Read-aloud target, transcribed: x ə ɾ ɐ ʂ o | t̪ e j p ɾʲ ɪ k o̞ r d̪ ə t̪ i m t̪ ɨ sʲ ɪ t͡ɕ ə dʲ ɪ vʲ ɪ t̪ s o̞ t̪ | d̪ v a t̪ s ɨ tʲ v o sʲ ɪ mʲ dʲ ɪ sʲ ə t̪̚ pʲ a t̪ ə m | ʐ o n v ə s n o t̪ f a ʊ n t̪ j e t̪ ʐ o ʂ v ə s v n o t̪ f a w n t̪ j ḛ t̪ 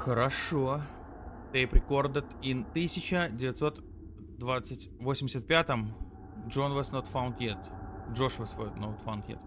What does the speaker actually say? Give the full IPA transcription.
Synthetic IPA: x ə ɾ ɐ ʂ o | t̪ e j p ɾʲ ɪ k o̞ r d̪ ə t̪ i n t̪ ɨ sʲ ɪ t͡ɕ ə dʲ ɪ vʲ ɪ t̪ s o̞ t̪ | d̪ v a t̪ s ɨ tʲ v o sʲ ɪ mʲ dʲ ɪ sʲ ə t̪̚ pʲ a t̪ ə m | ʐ o n v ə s n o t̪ f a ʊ n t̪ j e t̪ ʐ o ʂ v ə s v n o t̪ f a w n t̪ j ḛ t̪

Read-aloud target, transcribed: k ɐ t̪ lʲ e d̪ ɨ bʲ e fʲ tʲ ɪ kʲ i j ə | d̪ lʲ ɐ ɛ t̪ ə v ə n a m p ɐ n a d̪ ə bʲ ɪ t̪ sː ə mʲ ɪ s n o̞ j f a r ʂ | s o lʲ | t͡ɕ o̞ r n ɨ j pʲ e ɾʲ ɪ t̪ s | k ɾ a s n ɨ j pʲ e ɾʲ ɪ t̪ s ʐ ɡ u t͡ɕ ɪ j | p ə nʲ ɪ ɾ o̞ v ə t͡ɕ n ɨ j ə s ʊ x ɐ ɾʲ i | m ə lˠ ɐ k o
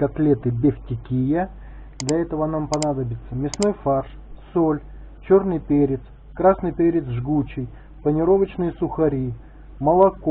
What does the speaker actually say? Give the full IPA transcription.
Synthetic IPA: k ɐ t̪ lʲ e t̪ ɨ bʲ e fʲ tʲ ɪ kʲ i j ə | d̪ lʲ ɐ ɛ t̪ ə v ə n a m p ɐ n a d̪ ə bʲ ɪ t̪ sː ə mʲ ɪ s n o̞ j f a r ʂ | s o lʲ | t͡ɕ o̞ r n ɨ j pʲ e ɾʲ ɪ t̪ s | k ɾ a s n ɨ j pʲ e ɾʲ ɪ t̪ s ʐ ɡ u t͡ɕ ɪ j | p ə nʲ ɪ ɾ o̞ v ə t͡ɕ n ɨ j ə s ʊ x ɐ ɾʲ i | m ə lˠ ɐ k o

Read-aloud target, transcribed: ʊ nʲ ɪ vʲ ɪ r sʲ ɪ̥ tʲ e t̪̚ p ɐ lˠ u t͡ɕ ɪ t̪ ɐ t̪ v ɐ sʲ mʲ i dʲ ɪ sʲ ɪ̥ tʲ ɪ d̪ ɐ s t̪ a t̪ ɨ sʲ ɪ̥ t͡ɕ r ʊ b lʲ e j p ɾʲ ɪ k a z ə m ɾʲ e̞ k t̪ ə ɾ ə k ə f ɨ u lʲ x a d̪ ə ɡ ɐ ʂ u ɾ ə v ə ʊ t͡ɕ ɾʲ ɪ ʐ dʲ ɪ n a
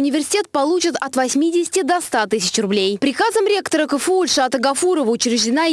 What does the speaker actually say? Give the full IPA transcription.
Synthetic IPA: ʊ nʲ ɪ vʲ ɪ r sʲ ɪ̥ tʲ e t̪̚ p ɐ lˠ u t͡ɕ ɪ t̪ ɐ t̪ v ɐ sʲ mʲ i dʲ ɪ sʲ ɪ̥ tʲ ɪ d̪ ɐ s t̪ a t̪ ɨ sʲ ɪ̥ t͡ɕ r ʊ b lʲ e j p ɾʲ ɪ k a z ə m ɾʲ e̞ k t̪ ə ɾ ə k ə f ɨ u lʲ ʂ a t̪ ə ɡ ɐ f u ɾ ə v ə ʊ t͡ɕ ɾʲ ɪ ʐ dʲ ɪ n a

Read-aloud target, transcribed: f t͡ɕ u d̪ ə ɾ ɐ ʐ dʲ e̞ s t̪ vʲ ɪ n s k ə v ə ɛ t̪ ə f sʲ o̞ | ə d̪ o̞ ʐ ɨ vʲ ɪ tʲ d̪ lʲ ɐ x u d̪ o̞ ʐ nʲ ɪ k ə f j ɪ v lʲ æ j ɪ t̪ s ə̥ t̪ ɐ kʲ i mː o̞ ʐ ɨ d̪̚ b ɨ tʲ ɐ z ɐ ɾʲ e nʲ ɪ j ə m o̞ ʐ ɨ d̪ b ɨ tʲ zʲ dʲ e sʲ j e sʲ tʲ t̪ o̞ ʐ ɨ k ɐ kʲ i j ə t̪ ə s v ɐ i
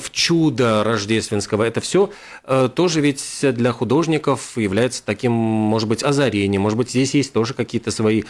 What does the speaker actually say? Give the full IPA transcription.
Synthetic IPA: f t͡ɕ u d̪ ə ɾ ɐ ʐ dʲ e̞ s t̪ vʲ ɪ n s k ə v ə ɛ t̪ ə f sʲ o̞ | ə t̪ o̞ ʐ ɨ vʲ ɪ tʲ d̪ lʲ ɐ x ʊ d̪ o̞ ʐ nʲ ɪ k ə f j ɪ v lʲ æ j ɪ t̪ s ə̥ t̪ ɐ kʲ i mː o̞ ʐ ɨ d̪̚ b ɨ tʲ ɐ z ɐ ɾʲ e nʲ ɪ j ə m o̞ ʐ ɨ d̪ b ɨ tʲ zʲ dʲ e sʲ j e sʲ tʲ t̪ o̞ ʐ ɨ k ɐ kʲ i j ə t̪ ə s v ɐ i

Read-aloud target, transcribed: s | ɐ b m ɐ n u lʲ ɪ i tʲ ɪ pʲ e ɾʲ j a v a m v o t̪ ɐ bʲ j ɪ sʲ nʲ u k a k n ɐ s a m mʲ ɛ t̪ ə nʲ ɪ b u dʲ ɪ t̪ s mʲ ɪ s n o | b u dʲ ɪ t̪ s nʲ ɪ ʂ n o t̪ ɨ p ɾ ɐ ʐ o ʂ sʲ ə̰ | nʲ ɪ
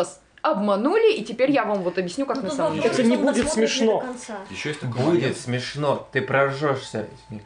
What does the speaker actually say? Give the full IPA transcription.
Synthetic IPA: s | ɐ b m ɐ n u lʲ ɪ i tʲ ɪ pʲ e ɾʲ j a v a m v o t̪ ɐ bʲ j ɪ sʲ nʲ u k a k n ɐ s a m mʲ ɛ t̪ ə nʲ ɪ b u dʲ ɪ t̪ s mʲ ɪ ʂ n o | b u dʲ ɪ t̪ s mʲ ɪ ʂ n o t̪ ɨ p ɾ ɐ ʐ o ʂ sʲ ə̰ | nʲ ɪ

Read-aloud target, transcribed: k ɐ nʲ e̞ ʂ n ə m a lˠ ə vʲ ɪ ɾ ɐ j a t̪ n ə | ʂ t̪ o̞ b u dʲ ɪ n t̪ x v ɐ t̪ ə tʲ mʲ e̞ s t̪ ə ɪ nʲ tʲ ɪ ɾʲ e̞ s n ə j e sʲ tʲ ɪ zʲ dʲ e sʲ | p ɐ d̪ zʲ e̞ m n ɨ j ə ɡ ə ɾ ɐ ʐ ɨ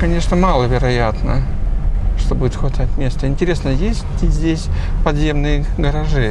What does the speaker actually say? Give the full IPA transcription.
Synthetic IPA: k ɐ nʲ e̞ ʂ n ə m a lˠ ə vʲ ɪ ɾ ɐ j a t̪ n ə | ʂ t̪ o̞ b u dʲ ɪ t̪ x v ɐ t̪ a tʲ mʲ e̞ s t̪ ə ɪ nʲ tʲ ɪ ɾʲ e̞ s n ə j e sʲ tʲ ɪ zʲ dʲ e sʲ | p ɐ d̪ zʲ e̞ m n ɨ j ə ɡ ə ɾ ɐ ʐ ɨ

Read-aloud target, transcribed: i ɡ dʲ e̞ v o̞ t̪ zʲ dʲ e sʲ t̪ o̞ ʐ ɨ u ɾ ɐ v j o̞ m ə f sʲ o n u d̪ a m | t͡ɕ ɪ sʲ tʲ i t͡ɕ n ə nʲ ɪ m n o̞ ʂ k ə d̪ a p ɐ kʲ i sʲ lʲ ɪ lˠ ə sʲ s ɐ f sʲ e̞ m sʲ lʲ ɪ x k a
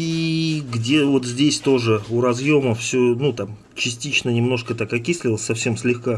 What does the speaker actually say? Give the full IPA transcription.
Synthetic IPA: i ɡ dʲ e̞ v o̞ t̪ zʲ dʲ e sʲ t̪ o̞ ʐ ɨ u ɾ ɐ z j o̞ m ə f sʲ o n u t̪ a m | t͡ɕ ɪ sʲ tʲ i t͡ɕ n ə nʲ ɪ m n o̞ ʂ k ə t̪ a k ɐ kʲ i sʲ lʲ ɪ lˠ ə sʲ s ɐ f sʲ e̞ m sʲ lʲ ɪ x k a

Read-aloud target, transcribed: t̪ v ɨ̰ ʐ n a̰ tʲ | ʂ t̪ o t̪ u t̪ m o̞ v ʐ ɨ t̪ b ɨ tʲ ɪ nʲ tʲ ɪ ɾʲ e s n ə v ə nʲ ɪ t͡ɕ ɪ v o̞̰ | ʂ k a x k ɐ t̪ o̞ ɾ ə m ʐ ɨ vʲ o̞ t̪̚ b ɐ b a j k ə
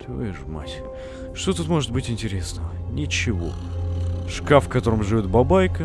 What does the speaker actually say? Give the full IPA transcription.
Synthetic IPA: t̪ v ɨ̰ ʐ m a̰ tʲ | ʂ t̪ o t̪ u t̪ m o̞ ʐ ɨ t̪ b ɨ tʲ ɪ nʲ tʲ ɪ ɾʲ e s n ə v ə nʲ ɪ t͡ɕ ɪ v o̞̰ | ʂ k a f k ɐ t̪ o̞ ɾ ə m ʐ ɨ vʲ o̞ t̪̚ b ɐ b a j k ə

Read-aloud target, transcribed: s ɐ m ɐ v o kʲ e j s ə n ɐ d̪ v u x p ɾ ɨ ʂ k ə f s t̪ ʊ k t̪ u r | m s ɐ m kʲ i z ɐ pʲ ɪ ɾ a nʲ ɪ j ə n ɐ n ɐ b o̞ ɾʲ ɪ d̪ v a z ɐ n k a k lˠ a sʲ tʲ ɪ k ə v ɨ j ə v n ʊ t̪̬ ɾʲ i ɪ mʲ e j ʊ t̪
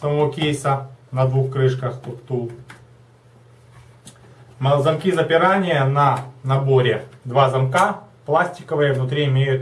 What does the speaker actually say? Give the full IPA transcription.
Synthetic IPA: s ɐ m ɐ v o kʲ e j s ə n ɐ d̪ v u x k ɾ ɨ ʂ k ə x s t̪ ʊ k t̪ u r | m z ɐ m kʲ i z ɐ pʲ ɪ ɾ a nʲ ɪ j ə n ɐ n ɐ b o̞ ɾʲ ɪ d̪ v a z ɐ m k a p lˠ a sʲ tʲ ɪ k ə v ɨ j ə v n ʊ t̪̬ ɾʲ i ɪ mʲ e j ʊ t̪

